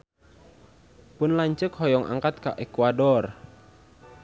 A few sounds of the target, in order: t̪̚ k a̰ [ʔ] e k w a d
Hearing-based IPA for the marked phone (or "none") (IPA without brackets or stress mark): ʔ